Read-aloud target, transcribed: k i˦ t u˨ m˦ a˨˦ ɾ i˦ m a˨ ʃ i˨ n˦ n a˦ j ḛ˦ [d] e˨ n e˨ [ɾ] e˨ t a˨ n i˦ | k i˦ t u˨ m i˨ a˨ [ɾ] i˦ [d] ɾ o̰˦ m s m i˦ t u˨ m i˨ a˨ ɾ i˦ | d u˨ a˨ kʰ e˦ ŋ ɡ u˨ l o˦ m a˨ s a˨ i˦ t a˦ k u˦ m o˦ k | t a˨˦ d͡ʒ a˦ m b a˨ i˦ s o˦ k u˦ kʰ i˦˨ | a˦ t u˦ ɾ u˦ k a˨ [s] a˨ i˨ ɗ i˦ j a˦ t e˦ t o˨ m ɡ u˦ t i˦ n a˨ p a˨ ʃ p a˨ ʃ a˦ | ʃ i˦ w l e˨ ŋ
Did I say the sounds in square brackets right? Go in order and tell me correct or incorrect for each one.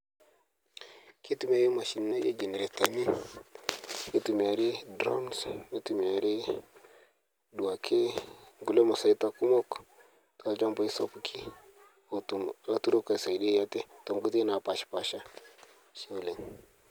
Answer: incorrect: d͡ʒ, correct, correct, correct, correct

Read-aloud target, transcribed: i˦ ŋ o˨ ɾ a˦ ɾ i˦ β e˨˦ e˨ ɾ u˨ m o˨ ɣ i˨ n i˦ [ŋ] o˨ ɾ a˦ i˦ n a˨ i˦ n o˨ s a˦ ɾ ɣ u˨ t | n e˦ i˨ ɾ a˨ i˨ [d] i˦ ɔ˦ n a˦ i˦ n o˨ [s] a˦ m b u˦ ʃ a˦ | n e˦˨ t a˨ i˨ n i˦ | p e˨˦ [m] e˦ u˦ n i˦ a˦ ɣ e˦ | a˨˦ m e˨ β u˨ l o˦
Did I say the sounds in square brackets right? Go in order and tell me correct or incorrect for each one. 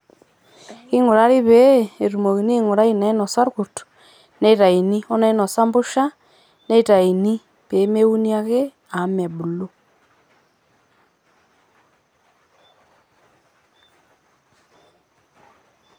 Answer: correct, incorrect: n, correct, correct

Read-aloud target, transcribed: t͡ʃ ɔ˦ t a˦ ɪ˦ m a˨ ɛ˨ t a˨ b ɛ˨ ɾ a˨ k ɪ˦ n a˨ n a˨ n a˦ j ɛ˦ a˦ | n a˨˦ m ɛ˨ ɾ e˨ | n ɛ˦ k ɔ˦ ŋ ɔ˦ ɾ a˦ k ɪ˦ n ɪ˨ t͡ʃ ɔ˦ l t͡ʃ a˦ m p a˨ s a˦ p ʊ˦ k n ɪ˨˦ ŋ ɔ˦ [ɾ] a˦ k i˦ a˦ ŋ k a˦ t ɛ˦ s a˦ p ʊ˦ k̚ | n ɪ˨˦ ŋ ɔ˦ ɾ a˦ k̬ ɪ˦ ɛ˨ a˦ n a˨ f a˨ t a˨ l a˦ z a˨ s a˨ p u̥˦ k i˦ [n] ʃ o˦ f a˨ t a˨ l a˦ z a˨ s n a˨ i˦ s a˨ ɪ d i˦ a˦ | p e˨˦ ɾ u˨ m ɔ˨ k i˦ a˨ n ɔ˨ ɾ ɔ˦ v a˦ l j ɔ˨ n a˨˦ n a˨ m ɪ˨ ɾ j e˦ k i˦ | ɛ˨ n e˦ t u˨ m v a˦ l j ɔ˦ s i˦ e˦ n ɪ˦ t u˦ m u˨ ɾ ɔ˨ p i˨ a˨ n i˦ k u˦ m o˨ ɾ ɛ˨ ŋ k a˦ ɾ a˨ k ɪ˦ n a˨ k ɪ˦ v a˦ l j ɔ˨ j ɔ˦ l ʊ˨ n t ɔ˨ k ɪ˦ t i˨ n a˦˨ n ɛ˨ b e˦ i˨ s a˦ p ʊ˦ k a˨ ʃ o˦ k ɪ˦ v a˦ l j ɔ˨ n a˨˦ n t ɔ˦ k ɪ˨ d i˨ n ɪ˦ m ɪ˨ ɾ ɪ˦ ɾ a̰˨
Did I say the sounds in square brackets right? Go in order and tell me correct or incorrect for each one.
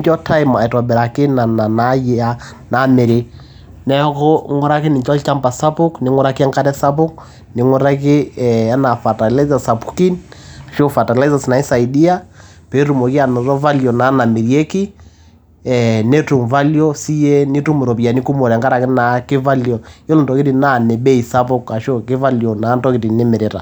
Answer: correct, correct

